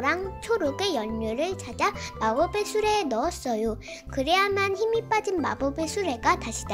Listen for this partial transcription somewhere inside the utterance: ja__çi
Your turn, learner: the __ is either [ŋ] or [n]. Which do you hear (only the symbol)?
n